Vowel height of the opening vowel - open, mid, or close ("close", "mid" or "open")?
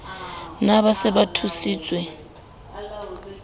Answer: open